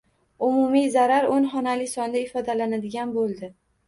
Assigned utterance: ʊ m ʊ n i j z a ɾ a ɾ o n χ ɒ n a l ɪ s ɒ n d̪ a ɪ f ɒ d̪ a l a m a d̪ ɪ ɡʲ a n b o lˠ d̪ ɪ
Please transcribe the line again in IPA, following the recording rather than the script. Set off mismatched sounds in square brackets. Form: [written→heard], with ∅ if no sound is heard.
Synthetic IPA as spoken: ʊ m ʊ [n→m] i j z a ɾ a ɾ o n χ ɒ n a l ɪ s ɒ n d̪ a ɪ f ɒ d̪ a l a [m→n] a d̪ ɪ ɡʲ a n b o lˠ d̪ ɪ